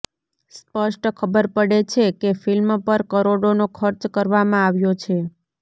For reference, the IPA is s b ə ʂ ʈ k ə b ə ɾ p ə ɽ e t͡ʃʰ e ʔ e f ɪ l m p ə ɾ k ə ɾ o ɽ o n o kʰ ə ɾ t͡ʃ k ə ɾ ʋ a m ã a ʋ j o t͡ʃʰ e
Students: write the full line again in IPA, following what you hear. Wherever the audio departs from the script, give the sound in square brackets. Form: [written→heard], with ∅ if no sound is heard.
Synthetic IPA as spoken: s [b→p] ə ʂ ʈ [k→kʰ] ə b ə ɾ p ə ɽ e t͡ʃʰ e [ʔ→k] e f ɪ l m p ə ɾ k ə ɾ o ɽ o n o kʰ ə ɾ t͡ʃ k ə ɾ ʋ a m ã a ʋ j o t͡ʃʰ e